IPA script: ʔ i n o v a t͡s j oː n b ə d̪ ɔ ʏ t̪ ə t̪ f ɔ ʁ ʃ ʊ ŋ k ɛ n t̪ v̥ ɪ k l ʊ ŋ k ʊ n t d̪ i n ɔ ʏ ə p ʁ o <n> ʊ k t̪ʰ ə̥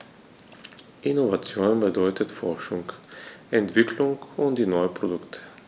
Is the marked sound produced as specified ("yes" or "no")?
no